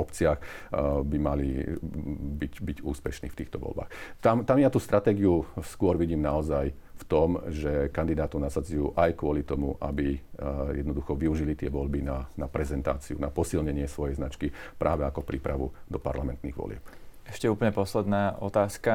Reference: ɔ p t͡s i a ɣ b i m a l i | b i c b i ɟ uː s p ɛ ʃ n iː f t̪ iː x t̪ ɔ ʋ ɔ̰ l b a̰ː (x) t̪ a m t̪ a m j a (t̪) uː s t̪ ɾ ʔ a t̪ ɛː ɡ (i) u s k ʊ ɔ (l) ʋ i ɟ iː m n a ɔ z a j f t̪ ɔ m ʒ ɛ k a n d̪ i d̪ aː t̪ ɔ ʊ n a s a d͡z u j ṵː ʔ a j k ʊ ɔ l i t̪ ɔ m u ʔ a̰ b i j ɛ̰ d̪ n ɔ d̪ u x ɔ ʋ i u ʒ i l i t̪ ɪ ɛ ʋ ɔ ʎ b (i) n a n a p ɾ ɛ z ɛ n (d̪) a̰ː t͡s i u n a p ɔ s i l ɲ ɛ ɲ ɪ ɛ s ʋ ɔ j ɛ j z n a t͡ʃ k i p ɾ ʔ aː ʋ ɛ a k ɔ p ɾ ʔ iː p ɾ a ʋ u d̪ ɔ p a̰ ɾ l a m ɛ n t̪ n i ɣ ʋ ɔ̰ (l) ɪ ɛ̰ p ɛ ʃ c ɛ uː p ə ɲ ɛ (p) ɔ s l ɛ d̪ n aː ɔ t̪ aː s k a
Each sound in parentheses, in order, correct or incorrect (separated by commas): correct, correct, correct, incorrect, correct, incorrect, correct, correct